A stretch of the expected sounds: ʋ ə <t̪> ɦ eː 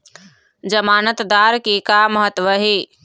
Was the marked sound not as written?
yes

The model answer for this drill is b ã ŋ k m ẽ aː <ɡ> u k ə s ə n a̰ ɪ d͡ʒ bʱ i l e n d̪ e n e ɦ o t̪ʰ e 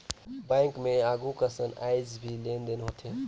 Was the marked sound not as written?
no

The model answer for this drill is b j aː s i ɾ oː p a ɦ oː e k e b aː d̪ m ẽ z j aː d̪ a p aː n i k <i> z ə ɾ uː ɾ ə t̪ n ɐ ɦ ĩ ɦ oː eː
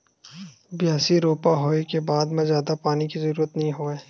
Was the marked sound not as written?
no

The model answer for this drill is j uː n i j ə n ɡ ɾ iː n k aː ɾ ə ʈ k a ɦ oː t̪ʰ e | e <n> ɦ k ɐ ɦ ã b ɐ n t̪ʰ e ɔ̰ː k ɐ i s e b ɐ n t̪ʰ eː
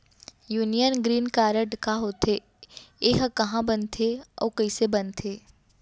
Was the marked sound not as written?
yes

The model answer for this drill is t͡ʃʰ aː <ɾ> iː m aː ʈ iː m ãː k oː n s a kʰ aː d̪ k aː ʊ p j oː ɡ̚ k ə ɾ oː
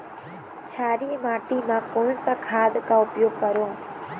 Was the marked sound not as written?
no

